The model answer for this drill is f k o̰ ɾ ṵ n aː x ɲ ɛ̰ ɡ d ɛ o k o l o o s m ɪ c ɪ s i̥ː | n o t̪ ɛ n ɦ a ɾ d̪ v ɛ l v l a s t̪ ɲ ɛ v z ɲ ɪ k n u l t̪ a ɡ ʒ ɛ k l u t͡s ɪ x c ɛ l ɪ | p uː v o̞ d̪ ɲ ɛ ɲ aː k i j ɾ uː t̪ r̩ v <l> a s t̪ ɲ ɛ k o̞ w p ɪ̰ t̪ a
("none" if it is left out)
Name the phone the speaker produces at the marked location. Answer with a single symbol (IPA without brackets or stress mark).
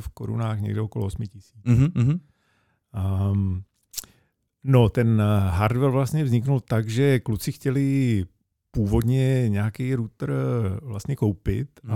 l